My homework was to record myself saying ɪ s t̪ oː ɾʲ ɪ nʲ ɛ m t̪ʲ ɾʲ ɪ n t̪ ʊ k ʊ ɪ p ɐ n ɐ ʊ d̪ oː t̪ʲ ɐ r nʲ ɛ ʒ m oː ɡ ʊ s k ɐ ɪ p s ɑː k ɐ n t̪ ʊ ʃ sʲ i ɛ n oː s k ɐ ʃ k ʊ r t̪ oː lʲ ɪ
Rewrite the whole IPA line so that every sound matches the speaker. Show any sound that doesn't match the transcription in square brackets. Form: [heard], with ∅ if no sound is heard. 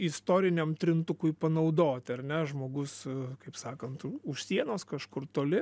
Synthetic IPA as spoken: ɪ s t̪ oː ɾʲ ɪ nʲ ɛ m t̪ʲ ɾʲ ɪ n t̪ ʊ k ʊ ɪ p ɐ n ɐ ʊ d̪ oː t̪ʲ ɐ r nʲ ɛ ʒ m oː ɡ ʊ s k ɐ ɪ p s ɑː k ɐ n t̪ ʊ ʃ sʲ i ɛ n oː s k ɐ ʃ k ʊ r t̪ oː lʲ ɪ